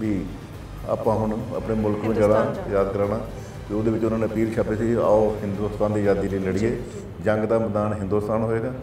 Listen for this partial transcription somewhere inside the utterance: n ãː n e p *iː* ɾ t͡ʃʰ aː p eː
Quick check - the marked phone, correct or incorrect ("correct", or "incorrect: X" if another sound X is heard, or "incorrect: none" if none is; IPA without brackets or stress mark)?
correct